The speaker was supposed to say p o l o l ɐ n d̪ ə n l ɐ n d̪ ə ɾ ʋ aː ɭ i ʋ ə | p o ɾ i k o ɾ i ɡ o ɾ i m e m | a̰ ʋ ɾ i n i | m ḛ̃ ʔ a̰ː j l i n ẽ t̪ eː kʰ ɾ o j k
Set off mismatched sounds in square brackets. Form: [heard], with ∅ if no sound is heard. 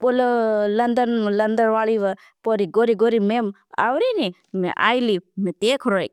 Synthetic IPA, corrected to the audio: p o l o l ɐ n d̪ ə n l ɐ n d̪ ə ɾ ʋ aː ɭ i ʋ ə | p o ɾ i [ɡ] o ɾ i ɡ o ɾ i m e m | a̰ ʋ ɾ i n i | m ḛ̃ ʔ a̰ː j l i [m] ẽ t̪ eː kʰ ɾ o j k

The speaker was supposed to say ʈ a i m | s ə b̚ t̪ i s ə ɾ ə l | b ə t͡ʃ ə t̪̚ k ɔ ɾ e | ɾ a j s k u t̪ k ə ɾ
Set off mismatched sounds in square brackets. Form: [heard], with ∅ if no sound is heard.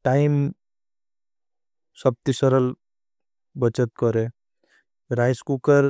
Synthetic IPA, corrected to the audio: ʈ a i m | s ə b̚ t̪ i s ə ɾ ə l | b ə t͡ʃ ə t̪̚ k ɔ ɾ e | ɾ a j s k u [∅] k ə ɾ

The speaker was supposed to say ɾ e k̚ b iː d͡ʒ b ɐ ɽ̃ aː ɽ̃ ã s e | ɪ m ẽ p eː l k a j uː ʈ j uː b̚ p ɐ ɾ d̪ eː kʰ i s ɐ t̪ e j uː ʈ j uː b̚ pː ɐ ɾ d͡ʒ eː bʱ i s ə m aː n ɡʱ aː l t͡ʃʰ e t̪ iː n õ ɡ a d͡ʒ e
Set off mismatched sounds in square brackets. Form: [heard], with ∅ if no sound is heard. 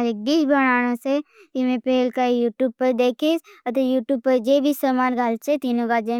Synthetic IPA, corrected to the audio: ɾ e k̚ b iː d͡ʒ b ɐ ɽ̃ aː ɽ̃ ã s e | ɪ m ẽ p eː l k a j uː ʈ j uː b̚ p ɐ ɾ d̪ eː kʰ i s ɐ t̪ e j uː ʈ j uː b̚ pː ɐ ɾ d͡ʒ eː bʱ i s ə m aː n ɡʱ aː l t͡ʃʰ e t̪ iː n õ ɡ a d͡ʒ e

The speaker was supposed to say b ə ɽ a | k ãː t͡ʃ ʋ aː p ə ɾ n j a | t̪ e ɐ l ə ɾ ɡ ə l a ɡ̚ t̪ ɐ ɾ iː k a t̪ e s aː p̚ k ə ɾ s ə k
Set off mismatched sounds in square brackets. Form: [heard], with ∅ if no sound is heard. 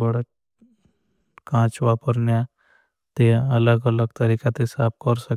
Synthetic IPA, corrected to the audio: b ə ɽ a | k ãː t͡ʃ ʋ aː p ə ɾ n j a | t̪ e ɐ l ə [∅] ɡ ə l [ə] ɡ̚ t̪ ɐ ɾ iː k a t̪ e s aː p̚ k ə ɾ s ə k

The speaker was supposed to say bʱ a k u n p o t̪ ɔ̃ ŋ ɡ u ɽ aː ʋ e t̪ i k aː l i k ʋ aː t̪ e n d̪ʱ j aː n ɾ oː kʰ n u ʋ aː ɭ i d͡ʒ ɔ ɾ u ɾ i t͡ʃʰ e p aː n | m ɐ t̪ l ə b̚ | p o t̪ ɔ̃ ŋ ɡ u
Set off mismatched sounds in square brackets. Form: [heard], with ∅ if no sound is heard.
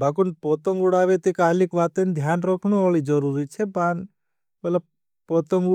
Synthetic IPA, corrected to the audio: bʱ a k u n p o t̪ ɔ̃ ŋ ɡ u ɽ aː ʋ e t̪ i k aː l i k ʋ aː t̪ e n d̪ʱ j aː n ɾ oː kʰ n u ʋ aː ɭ i d͡ʒ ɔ ɾ u ɾ i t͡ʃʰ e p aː n | m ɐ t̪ l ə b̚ | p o t̪ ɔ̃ ŋ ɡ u

